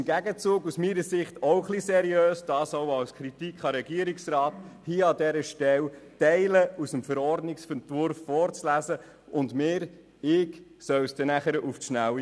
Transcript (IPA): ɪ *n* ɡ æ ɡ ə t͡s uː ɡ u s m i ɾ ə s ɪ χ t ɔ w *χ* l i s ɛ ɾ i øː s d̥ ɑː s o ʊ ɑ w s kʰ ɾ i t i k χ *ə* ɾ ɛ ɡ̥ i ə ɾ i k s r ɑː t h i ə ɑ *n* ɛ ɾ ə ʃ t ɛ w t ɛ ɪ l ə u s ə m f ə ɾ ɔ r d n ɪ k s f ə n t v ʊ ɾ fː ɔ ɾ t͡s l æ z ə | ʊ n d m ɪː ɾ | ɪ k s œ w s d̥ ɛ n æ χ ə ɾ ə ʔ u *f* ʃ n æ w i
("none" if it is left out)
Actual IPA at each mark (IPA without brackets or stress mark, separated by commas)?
m, χ, ɑ, d, f